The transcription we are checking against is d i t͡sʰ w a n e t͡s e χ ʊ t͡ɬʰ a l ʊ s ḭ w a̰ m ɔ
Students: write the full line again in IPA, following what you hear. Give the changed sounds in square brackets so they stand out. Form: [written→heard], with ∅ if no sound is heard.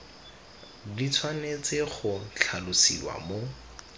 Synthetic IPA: d i t͡sʰ w a n e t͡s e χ ʊ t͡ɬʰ a l ʊ s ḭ w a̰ m [ɔ→o]